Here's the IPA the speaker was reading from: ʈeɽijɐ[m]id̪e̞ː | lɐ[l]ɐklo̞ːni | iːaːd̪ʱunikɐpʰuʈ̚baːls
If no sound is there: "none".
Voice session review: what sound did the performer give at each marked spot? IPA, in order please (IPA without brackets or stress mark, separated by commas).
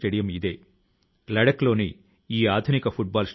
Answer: m, ɽ